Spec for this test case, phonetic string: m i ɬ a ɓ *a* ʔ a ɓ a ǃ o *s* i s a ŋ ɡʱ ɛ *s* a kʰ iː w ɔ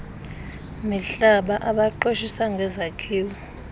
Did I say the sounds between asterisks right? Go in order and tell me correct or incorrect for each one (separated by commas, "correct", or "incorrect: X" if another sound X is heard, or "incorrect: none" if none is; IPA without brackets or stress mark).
correct, incorrect: ʃ, incorrect: z